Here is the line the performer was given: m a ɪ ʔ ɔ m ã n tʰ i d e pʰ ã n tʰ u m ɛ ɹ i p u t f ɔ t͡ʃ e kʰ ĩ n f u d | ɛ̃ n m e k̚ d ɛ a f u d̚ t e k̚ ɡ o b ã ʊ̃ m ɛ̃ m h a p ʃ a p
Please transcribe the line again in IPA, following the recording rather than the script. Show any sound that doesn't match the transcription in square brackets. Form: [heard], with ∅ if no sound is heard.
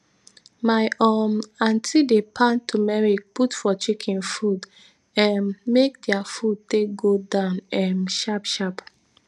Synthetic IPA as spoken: m a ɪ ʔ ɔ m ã n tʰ i d e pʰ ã n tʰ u m ɛ ɹ i p u t f ɔ t͡ʃ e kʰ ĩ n f u d | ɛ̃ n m e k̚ d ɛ a f u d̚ t e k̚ ɡ o [d] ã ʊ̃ [n] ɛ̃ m [ʃ] a p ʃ a p

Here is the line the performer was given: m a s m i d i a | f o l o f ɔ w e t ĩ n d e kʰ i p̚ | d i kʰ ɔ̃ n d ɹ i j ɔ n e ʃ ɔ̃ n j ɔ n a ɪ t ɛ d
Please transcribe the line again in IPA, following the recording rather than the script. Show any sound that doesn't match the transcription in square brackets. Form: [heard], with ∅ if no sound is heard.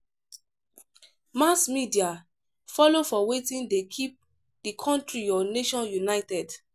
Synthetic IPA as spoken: m a s m i d i a | f [ɔ] l o f ɔ w e t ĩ n d e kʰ i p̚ | d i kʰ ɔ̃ n [t] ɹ i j ɔ n e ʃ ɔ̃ n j [u] n a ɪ t ɛ d

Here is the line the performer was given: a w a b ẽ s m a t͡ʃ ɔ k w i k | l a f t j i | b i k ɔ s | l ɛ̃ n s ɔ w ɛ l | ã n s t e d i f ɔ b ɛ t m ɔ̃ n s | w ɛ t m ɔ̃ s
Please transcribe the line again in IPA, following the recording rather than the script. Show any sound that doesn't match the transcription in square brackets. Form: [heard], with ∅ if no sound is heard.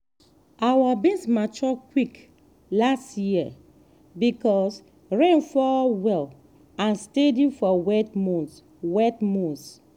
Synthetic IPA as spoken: a w a b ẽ s m a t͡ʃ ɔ k w i k | l a [s] t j i | b i k ɔ s | [ɹ] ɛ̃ n [f] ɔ w ɛ l | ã n s t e d i f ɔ [w] ɛ t m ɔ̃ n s | w ɛ t m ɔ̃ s

